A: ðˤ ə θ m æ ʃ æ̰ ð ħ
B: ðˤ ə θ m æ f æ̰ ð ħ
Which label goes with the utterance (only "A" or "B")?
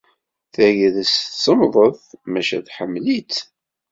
A